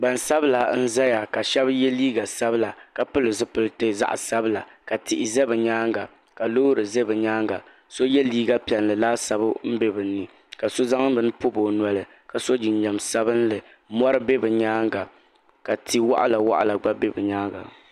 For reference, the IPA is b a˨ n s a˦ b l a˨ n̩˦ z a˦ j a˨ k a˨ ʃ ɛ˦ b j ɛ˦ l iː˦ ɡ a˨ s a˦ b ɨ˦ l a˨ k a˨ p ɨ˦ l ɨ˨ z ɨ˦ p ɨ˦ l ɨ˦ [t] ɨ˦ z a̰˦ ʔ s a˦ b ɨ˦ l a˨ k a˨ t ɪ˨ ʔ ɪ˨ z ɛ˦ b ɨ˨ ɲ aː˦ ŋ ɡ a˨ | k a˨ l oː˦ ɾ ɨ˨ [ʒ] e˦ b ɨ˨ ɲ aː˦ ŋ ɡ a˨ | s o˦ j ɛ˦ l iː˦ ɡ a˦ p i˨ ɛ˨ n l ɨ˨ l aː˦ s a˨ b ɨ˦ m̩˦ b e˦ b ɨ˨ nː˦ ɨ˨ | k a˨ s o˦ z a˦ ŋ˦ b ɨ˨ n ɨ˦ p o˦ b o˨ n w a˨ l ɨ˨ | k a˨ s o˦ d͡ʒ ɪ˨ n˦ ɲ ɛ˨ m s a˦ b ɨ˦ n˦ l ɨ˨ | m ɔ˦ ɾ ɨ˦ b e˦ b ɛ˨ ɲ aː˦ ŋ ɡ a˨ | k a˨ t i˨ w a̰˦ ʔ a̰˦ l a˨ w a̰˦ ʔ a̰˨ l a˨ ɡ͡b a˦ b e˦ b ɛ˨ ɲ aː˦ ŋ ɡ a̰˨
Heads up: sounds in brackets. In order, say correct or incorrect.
correct, incorrect: z

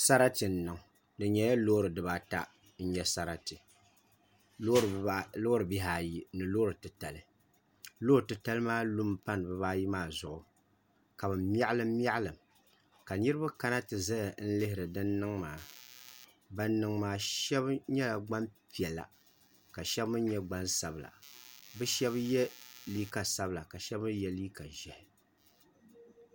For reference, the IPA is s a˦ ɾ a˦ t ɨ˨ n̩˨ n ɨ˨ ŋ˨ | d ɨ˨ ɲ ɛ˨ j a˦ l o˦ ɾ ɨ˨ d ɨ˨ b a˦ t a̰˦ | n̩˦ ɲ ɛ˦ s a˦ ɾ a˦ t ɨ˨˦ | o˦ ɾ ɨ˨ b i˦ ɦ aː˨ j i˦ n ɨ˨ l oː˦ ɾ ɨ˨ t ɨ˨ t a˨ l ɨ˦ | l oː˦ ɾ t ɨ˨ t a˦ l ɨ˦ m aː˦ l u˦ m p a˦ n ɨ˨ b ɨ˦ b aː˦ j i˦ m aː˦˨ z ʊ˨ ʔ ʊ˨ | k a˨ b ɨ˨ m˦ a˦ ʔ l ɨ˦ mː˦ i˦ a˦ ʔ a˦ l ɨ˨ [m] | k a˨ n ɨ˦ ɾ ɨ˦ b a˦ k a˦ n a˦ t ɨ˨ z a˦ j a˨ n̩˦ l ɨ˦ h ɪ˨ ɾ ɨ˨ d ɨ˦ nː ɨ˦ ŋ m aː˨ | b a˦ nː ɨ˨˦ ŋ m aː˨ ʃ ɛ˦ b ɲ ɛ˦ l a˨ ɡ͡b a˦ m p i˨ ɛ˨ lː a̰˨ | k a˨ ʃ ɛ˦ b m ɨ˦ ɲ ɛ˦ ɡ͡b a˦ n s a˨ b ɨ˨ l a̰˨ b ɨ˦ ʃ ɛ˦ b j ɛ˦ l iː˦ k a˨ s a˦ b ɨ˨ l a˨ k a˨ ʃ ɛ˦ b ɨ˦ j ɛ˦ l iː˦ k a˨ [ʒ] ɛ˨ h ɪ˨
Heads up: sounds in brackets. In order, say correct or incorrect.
correct, correct

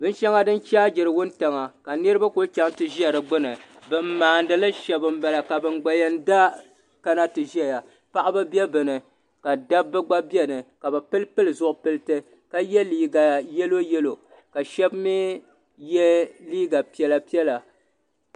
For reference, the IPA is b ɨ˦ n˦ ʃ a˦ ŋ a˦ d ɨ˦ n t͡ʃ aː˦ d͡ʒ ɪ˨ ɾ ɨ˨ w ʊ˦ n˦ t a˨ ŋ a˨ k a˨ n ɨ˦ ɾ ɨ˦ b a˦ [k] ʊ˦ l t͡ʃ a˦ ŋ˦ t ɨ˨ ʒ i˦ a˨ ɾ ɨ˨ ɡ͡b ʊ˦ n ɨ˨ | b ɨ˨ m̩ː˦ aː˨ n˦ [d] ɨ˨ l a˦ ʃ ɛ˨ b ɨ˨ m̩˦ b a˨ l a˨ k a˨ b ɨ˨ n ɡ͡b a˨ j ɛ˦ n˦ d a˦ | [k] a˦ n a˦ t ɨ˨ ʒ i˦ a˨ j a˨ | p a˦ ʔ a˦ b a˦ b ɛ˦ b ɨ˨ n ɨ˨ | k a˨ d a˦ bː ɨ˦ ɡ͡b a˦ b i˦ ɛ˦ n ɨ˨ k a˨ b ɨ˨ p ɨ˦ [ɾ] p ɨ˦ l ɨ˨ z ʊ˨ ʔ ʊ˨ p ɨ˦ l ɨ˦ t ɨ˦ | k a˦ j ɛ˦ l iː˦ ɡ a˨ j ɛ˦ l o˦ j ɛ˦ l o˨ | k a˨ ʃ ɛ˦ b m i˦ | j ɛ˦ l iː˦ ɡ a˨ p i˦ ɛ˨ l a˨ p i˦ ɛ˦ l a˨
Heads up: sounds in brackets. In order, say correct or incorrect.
correct, correct, correct, incorrect: l

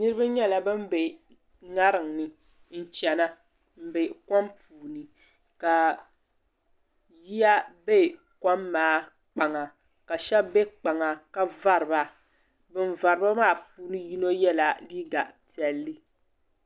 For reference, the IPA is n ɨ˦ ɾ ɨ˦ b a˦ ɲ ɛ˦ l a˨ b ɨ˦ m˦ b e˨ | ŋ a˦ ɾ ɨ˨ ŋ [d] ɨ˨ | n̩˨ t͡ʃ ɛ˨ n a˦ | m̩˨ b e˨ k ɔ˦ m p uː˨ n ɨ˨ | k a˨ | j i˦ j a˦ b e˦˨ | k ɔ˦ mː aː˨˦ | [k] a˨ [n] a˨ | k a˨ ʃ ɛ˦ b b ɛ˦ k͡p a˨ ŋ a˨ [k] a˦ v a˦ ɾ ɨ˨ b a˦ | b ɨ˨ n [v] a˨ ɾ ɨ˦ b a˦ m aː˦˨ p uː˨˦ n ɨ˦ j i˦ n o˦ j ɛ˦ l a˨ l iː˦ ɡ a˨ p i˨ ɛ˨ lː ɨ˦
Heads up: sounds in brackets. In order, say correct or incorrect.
incorrect: n, incorrect: k͡p, incorrect: ŋ, correct, correct

